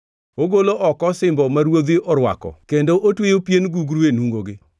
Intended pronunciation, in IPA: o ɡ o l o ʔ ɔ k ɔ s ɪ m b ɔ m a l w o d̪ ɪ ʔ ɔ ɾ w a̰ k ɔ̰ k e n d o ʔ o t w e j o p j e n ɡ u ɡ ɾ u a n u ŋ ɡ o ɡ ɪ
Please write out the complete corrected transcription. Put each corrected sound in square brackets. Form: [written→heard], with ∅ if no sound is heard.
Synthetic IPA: o ɡ o l o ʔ ɔ k ɔ s ɪ m b ɔ m a [l→ɾ] w o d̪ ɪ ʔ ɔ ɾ w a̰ k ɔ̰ k e n d o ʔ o t w e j o p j e n ɡ u ɡ ɾ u [a→e] n u ŋ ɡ o ɡ ɪ